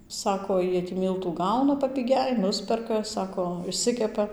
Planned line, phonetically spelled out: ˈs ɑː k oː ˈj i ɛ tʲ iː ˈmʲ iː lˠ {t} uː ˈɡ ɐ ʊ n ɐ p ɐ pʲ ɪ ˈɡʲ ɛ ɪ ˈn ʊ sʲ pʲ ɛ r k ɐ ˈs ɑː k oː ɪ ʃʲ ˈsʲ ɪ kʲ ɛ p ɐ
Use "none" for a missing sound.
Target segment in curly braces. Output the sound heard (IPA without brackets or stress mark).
t